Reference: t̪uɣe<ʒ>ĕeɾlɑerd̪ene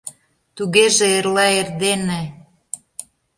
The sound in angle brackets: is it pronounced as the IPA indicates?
yes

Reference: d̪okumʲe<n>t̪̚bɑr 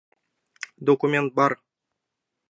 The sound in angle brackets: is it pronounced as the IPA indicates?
yes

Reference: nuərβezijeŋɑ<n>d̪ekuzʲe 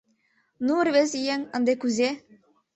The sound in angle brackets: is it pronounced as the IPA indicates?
yes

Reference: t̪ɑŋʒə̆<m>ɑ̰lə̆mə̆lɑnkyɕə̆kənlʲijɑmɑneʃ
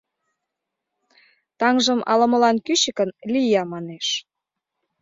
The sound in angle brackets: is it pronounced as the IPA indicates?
yes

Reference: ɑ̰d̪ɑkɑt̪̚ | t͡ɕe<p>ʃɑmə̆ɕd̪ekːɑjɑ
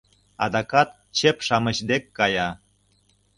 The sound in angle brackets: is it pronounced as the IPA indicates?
yes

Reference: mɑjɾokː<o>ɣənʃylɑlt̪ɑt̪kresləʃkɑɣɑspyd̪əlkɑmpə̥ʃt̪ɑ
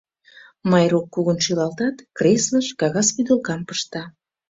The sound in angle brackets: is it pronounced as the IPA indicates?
no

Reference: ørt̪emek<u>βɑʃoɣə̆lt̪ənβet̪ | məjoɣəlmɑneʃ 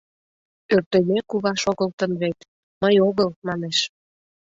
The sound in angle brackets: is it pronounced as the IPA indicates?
yes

